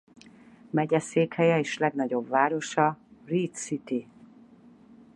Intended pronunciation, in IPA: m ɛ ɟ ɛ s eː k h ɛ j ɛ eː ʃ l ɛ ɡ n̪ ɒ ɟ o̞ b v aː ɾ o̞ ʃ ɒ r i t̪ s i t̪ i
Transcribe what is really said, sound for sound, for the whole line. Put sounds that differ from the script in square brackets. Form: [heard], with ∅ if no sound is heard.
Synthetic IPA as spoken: m ɛ ɟ ɛ s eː k h ɛ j ɛ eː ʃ l ɛ ɡ n̪ ɒ ɟ o̞ b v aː ɾ o̞ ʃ ɒ r i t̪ s i t̪ i

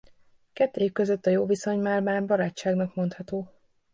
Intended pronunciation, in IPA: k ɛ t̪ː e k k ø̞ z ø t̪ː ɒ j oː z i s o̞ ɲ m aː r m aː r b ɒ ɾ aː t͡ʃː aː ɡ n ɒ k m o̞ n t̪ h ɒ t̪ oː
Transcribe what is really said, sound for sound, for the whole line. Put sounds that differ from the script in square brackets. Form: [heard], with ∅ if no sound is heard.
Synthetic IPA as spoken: k ɛ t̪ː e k k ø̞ z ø t̪ː ɒ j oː [v] i s o̞ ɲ m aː r m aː r b ɒ ɾ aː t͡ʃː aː ɡ n ɒ k m o̞ n t̪ h ɒ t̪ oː

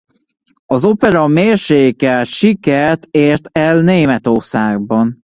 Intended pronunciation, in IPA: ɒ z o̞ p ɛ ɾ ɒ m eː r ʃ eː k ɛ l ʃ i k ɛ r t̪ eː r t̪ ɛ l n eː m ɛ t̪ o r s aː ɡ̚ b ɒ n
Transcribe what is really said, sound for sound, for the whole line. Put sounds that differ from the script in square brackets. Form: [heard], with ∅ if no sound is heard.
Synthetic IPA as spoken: ɒ z o̞ p ɛ ɾ ɒ m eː r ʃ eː k ɛ l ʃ i k ɛ r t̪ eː r t̪ ɛ l n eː m ɛ t̪ o r s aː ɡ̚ b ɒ n

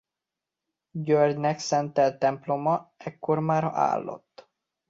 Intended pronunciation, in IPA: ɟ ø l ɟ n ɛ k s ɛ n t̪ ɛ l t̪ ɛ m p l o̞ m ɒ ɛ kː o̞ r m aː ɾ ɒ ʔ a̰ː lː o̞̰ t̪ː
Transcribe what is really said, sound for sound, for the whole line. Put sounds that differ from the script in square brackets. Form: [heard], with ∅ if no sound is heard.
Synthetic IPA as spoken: ɟ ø [r] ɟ n ɛ k s ɛ n t̪ ɛ l t̪ ɛ m p l o̞ m ɒ ɛ kː o̞ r m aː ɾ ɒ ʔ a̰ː lː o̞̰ t̪ː

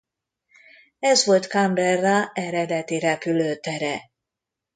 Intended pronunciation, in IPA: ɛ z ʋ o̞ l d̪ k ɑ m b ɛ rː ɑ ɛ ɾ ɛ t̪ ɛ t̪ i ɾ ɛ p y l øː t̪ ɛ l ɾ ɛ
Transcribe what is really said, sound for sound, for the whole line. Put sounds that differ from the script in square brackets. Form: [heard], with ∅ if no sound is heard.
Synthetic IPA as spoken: ɛ z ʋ o̞ l [t̪] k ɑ m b ɛ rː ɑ ɛ ɾ ɛ [d̪] ɛ t̪ i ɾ ɛ p y l øː t̪ ɛ [∅] ɾ ɛ

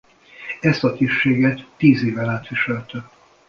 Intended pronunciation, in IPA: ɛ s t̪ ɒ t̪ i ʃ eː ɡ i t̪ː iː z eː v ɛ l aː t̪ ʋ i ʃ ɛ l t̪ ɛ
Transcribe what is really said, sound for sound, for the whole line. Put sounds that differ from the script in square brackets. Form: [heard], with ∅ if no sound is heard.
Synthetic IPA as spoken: ɛ s t̪ ɒ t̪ i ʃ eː ɡ [ɛ] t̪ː iː z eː v ɛ l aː t̪ ʋ i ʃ ɛ l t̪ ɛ

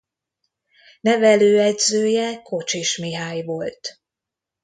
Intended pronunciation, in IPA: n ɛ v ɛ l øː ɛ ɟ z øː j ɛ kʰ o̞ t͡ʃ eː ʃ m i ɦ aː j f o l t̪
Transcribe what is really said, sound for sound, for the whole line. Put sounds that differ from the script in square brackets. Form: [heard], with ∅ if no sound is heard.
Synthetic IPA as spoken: n ɛ v ɛ l øː ɛ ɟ z øː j ɛ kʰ o̞ t͡ʃ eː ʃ m i ɦ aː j [v] o l t̪

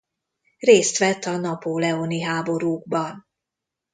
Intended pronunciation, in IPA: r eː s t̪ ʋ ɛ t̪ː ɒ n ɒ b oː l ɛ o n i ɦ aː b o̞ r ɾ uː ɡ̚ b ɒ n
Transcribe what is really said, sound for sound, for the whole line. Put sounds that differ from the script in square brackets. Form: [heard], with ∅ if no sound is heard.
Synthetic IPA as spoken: r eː s t̪ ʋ ɛ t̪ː ɒ n ɒ [p] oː l ɛ o n i ɦ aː b o̞ [∅] ɾ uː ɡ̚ b ɒ n

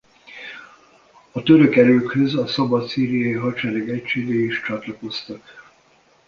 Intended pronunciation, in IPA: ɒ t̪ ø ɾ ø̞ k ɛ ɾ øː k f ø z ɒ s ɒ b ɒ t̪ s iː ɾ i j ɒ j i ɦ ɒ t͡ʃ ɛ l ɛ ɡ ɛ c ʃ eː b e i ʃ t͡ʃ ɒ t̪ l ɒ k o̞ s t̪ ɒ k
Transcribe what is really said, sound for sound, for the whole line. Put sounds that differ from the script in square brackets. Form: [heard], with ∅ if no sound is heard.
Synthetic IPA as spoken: ɒ t̪ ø ɾ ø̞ k ɛ ɾ øː k [h] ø z ɒ s ɒ b ɒ t̪ s iː ɾ i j ɒ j i ɦ ɒ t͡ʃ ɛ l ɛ ɡ ɛ c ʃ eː [ɡ] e i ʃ t͡ʃ ɒ t̪ l ɒ k o̞ s t̪ ɒ k

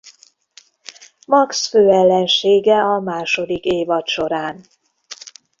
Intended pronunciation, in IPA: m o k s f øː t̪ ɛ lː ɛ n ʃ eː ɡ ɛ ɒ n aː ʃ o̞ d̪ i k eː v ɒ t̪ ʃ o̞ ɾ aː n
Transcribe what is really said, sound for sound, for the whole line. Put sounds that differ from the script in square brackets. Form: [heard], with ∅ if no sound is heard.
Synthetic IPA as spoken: m [ɒ] k s f øː [∅] ɛ lː ɛ n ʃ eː ɡ ɛ ɒ [m] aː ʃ o̞ d̪ i k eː v ɒ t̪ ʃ o̞ ɾ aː n

